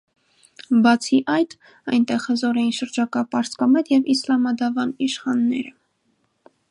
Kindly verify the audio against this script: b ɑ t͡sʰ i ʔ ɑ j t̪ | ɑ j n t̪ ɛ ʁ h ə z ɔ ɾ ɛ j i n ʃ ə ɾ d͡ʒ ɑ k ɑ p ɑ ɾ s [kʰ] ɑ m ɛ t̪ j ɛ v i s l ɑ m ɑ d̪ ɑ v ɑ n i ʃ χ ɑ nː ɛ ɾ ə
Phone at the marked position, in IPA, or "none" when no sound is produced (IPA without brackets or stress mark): k